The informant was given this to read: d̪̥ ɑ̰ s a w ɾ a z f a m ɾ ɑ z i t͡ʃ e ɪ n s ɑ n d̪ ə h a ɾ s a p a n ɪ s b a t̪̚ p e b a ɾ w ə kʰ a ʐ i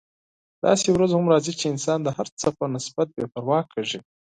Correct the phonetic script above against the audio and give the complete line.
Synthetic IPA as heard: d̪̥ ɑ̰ s e w ɾ a z h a m ɾ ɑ z i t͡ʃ e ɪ n s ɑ n d̪ ə h a ɾ t͡s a p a n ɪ s b a t̪̚ b e p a ɾ w ɑ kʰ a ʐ i